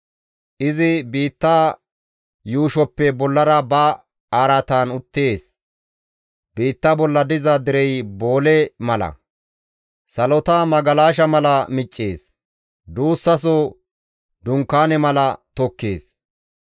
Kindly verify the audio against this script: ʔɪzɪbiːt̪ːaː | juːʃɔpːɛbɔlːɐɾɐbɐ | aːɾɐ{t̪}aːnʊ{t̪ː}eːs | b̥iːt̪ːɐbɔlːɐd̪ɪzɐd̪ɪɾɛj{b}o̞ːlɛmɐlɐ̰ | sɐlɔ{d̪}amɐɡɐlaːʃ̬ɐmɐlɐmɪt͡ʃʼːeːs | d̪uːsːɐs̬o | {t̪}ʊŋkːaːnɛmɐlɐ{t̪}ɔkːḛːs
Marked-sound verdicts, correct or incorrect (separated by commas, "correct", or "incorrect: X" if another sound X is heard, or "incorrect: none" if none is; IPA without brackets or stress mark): correct, correct, correct, incorrect: t̪, incorrect: d̪, correct